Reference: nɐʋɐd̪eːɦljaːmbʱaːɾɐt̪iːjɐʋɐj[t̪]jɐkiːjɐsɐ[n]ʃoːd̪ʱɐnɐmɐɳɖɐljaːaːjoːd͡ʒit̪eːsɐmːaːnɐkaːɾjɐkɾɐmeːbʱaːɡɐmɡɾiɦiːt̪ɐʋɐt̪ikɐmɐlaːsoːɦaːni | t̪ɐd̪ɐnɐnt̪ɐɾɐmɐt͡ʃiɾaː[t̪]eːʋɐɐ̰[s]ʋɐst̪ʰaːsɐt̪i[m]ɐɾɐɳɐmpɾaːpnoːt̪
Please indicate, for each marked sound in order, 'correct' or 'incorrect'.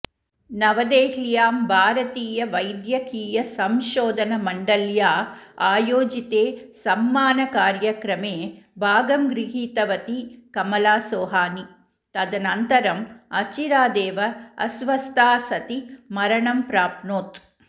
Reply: incorrect, incorrect, incorrect, correct, correct

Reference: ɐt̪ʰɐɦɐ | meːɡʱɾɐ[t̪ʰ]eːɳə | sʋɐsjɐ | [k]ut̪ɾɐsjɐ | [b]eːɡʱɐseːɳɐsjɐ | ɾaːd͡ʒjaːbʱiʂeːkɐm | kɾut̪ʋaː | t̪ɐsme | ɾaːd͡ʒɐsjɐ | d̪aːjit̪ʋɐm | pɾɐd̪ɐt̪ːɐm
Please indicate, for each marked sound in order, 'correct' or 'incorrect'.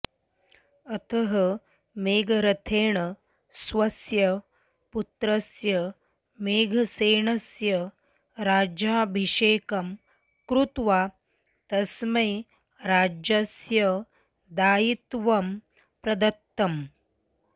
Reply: correct, incorrect, incorrect

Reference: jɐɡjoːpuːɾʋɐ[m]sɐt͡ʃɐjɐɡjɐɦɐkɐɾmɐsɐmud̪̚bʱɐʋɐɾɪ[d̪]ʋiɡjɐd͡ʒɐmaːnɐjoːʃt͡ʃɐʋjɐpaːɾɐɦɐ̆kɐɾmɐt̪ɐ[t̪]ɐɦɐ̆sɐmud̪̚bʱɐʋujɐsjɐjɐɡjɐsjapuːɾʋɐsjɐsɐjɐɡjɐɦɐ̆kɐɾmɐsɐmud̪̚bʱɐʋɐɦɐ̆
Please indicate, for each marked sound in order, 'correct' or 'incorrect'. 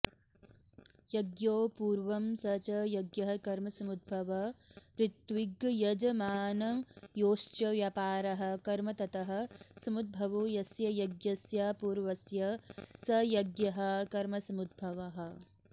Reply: correct, incorrect, correct

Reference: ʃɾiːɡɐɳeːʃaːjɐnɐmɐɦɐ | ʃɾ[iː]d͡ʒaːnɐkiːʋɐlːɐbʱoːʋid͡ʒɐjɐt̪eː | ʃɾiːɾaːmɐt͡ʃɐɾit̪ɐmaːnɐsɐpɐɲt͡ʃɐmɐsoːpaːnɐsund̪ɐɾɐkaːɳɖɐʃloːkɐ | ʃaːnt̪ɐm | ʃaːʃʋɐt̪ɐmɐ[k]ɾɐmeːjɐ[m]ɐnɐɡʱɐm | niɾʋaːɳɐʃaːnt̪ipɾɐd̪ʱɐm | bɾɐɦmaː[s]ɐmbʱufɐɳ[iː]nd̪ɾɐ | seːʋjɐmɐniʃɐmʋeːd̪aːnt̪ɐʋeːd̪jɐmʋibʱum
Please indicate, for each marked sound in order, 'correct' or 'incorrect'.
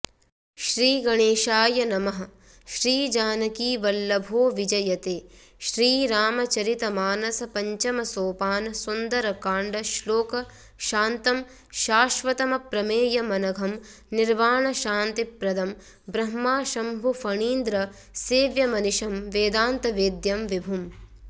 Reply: correct, incorrect, correct, incorrect, correct

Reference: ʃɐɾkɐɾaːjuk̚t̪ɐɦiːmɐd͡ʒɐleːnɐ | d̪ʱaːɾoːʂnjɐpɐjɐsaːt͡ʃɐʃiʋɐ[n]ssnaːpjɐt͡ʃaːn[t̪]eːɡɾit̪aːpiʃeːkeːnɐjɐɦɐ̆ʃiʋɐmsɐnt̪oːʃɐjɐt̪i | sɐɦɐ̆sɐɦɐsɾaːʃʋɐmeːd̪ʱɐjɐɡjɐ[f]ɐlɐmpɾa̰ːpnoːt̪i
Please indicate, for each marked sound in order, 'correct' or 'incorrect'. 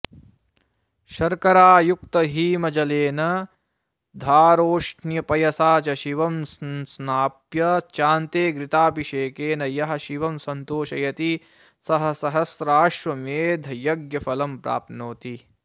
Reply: incorrect, correct, correct

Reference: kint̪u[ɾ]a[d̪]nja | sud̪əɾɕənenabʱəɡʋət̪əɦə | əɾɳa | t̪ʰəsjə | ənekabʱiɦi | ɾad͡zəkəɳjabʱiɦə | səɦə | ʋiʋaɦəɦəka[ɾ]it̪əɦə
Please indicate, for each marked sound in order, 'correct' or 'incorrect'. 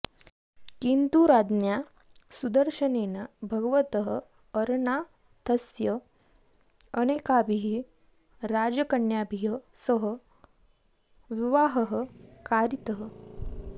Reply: correct, correct, correct

